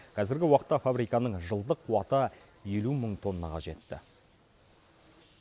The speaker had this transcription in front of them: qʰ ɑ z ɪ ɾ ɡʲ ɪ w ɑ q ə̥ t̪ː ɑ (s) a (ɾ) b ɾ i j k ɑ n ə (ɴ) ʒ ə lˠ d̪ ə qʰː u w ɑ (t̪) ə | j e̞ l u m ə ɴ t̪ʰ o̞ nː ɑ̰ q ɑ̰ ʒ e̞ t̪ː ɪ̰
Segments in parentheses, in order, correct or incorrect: incorrect: f, incorrect: none, correct, correct

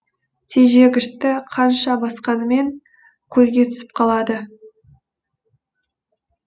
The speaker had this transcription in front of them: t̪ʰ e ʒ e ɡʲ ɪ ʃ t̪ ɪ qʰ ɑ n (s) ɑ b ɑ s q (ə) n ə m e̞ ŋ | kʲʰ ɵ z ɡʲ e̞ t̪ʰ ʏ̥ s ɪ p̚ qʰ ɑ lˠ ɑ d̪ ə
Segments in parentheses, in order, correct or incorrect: incorrect: ʃ, incorrect: ɑ

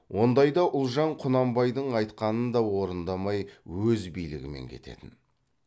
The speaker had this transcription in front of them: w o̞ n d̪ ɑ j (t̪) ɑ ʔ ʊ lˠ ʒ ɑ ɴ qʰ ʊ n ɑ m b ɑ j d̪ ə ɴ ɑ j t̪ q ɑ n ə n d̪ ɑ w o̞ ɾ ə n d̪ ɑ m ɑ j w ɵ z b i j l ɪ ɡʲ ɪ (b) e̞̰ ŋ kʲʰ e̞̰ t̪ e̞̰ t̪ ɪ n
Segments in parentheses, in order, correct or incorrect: incorrect: d̪, incorrect: m

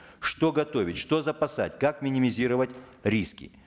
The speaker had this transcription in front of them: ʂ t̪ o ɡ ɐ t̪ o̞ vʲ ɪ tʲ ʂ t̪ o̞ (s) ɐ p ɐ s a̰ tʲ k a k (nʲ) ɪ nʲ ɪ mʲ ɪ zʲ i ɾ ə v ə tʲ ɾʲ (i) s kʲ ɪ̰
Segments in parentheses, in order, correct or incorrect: incorrect: z, incorrect: mʲ, correct

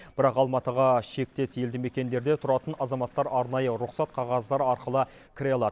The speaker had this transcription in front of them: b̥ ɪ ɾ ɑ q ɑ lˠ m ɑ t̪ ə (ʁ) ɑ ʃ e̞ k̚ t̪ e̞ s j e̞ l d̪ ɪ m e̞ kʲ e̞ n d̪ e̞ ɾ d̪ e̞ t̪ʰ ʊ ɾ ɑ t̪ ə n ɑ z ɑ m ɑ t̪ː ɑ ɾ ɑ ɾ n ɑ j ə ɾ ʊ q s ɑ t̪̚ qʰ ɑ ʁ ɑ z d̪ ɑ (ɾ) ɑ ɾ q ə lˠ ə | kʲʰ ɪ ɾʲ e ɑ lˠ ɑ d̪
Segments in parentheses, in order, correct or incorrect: correct, correct

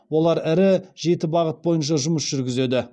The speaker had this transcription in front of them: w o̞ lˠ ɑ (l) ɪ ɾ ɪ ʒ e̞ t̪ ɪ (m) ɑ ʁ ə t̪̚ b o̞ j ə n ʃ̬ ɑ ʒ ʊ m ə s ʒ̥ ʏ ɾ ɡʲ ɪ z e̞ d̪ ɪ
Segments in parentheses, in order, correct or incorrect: incorrect: ɾ, incorrect: b

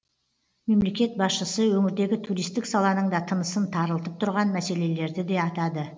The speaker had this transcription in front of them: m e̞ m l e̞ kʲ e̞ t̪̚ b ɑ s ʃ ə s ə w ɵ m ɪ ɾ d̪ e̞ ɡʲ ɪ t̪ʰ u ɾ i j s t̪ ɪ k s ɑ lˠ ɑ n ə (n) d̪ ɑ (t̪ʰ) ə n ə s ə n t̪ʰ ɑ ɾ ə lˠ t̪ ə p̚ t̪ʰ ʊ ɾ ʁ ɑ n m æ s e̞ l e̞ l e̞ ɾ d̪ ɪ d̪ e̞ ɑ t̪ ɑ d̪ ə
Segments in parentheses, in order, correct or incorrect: incorrect: ɴ, correct

